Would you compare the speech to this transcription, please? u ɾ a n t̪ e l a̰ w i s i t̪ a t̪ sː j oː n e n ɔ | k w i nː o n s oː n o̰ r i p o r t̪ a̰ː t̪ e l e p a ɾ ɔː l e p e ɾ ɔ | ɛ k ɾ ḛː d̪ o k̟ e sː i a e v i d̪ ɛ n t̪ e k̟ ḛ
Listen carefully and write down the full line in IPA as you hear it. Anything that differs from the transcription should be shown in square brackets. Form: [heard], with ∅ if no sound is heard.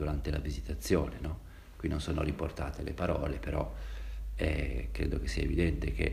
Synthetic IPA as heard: u ɾ a n t̪ e l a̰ [v] i [z] i t̪ a t̪ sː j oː n e n ɔ | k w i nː o n s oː n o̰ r i p o r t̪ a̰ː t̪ e l e p a ɾ ɔː l e p e ɾ ɔ | ɛ k ɾ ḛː d̪ o k̟ e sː i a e v i d̪ ɛ n t̪ e k̟ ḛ